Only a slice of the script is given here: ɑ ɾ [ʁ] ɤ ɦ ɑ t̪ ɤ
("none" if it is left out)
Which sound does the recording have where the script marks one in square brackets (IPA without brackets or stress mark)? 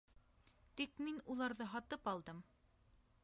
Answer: ð